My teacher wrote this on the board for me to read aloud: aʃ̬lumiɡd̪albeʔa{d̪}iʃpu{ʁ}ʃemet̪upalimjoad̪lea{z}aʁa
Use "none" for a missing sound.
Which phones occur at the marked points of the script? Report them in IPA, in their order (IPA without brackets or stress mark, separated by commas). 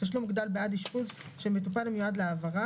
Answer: d̪, z, v